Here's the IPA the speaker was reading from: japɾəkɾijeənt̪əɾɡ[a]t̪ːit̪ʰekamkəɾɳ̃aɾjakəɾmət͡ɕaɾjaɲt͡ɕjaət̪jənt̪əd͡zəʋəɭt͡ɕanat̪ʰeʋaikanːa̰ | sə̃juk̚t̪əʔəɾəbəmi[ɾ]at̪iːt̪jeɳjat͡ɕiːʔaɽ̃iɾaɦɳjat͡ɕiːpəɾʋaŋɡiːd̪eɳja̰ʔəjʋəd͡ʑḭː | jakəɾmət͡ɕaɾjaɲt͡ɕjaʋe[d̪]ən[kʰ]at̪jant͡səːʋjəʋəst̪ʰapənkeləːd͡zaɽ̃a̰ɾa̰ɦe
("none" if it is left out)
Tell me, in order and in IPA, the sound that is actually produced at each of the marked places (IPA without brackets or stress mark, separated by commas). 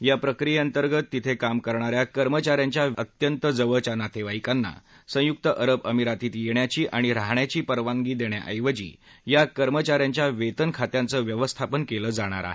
ə, ɾ, t̪, kʰ